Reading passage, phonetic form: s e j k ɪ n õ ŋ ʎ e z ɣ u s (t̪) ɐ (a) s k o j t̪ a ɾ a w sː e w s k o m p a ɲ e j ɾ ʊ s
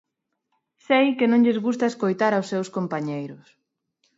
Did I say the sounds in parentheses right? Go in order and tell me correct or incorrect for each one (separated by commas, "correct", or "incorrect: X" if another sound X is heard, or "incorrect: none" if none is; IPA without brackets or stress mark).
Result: correct, incorrect: e